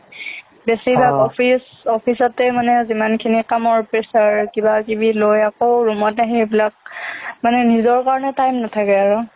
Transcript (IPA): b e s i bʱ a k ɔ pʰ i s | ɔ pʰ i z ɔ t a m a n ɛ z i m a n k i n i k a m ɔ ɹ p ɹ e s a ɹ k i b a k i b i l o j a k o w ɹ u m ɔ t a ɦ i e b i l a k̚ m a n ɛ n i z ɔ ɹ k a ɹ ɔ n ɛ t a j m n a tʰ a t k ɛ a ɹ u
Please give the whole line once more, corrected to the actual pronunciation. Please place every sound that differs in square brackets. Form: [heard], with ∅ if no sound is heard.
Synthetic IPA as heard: b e s i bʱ a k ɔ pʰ i s | ɔ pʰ i [s] ɔ t [ɛ] m a n ɛ z i m a n [kʰ] i n i k a m ɔ ɹ p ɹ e s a ɹ k i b a k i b i l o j a k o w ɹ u m ɔ t a ɦ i e b i l a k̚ m a n ɛ n i z ɔ ɹ k a ɹ ɔ n ɛ t a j m n a tʰ a [∅] k ɛ a ɹ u

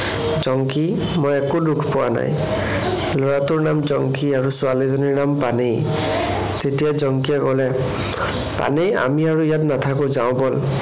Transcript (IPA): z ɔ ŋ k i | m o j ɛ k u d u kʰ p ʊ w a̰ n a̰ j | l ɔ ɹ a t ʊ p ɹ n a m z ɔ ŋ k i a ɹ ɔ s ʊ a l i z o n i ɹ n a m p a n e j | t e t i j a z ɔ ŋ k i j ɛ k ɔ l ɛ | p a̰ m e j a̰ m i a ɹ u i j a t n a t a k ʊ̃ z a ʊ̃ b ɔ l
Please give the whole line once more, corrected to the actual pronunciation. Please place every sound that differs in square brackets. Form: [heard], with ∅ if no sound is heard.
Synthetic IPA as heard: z ɔ ŋ k i | m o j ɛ k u d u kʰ p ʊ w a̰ n a̰ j | l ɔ ɹ a t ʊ [∅] ɹ n a m z ɔ ŋ k i a ɹ [u] s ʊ a l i z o n i ɹ n a m p a n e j | t e t i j a z ɔ ŋ k i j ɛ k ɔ l ɛ | p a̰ [n] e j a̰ m i a ɹ u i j a t n a [tʰ] a k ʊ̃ z a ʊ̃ b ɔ l

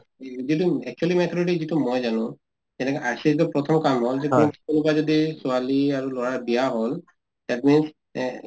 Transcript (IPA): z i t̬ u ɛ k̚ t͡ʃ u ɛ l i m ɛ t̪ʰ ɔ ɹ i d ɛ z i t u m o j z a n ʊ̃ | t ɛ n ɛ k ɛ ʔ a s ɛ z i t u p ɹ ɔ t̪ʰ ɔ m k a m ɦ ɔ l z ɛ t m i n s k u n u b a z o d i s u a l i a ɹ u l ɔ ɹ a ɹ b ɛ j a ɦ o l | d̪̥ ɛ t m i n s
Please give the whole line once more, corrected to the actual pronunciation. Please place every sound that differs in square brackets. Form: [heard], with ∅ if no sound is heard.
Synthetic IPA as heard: z i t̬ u ɛ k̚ t͡ʃ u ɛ l i m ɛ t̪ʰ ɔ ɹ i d [i] z i t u m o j z a n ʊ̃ | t ɛ n ɛ k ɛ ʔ a s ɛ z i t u p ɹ ɔ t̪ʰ ɔ m k a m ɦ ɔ l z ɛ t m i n s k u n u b a z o d i s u a l i a ɹ u l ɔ ɹ a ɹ b [i] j a ɦ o l | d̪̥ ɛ t m i n s

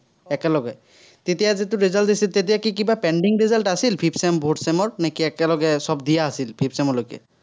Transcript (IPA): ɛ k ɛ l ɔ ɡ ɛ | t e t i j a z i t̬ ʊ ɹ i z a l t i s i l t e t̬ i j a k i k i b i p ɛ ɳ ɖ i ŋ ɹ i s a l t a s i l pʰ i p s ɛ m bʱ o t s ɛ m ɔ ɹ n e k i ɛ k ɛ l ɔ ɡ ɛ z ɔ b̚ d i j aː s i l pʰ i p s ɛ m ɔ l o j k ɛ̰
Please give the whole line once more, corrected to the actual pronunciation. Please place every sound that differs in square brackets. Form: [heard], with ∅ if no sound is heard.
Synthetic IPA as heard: ɛ k ɛ l ɔ ɡ ɛ | t e t i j a z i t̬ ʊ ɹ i z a l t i s i l t e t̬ i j a k i k i b [a] p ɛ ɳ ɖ i ŋ ɹ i [z] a l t a s i l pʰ i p s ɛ m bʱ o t s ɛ m ɔ ɹ n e k i ɛ k ɛ l ɔ ɡ ɛ [s] ɔ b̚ d i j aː s i l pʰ i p s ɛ m ɔ l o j k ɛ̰

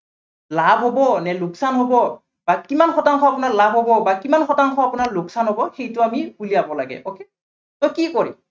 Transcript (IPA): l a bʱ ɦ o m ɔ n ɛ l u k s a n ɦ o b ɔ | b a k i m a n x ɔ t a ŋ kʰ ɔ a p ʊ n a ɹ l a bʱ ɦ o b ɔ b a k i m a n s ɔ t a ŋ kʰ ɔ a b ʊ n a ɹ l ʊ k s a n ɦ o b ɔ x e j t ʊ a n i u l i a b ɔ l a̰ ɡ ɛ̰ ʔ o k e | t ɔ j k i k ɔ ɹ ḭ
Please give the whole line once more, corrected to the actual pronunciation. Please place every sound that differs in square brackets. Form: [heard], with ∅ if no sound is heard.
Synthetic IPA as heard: l a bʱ ɦ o [b] ɔ n ɛ l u k s a n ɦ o b ɔ | b a k i m a n x ɔ t a ŋ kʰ ɔ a p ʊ n a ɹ l a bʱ ɦ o b ɔ b a k i m a n [x] ɔ t a ŋ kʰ ɔ a [p] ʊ n a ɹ l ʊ k s a n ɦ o b ɔ x e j t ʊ a [m] i u l i a b ɔ l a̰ ɡ ɛ̰ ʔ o k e | t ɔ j k i k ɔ ɹ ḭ

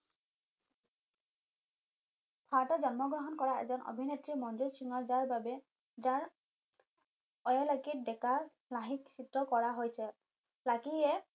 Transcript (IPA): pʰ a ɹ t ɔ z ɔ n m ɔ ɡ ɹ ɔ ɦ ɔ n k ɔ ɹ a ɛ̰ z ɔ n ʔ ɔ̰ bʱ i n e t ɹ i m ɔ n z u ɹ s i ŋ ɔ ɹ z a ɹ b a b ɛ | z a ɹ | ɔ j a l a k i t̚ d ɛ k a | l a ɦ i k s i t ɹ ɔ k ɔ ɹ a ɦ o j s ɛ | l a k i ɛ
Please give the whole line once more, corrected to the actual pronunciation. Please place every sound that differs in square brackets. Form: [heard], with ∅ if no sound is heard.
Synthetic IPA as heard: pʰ a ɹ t ɔ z ɔ n m ɔ ɡ ɹ ɔ ɦ ɔ n k ɔ ɹ a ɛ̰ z ɔ n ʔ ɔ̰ bʱ i n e t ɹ i m ɔ n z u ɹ s i ŋ ɔ ɹ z a ɹ b a b ɛ | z a ɹ | ɔ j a l a k i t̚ d ɛ k a | l a ɦ i k s i t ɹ ɔ k ɔ ɹ a ɦ o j s ɛ | l a k i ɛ

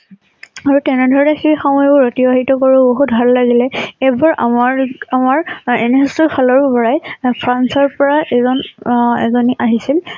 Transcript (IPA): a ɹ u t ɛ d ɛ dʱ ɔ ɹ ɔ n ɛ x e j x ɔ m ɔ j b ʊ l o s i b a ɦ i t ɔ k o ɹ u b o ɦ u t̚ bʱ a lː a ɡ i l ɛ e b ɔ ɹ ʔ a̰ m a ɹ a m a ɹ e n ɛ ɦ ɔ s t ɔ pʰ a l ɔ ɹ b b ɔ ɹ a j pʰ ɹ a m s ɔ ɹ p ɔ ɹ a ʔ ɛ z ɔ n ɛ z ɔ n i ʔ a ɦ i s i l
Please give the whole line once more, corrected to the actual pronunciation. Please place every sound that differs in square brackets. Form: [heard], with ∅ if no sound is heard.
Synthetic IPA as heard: a ɹ u t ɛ [n] ɛ dʱ ɔ ɹ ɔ n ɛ x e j x ɔ m ɔ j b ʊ [ɹ] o [t] i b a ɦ i t ɔ k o ɹ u b o ɦ u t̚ bʱ a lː a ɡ i l ɛ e b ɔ ɹ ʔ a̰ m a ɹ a m a ɹ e n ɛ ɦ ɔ s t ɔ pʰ a l ɔ ɹ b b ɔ ɹ a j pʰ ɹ a [n] s ɔ ɹ p ɔ ɹ a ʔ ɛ z ɔ n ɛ z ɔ n i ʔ a ɦ i s i l

